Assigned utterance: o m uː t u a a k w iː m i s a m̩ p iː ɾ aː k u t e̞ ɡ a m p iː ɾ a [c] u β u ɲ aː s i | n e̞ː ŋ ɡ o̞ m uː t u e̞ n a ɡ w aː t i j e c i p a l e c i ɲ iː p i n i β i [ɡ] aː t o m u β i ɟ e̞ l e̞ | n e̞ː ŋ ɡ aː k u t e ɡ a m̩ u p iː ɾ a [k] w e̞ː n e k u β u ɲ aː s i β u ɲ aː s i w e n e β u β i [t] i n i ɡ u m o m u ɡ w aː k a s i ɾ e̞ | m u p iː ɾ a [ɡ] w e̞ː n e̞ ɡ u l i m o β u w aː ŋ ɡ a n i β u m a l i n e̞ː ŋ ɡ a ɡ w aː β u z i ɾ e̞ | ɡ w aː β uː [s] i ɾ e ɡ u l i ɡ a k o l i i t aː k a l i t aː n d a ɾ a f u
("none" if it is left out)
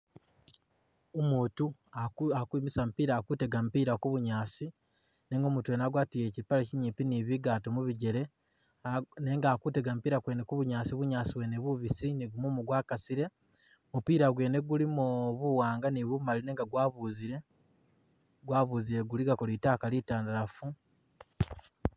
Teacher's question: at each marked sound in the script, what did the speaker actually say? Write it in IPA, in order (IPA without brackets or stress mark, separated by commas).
k, ɡ, k, s, ɡ, z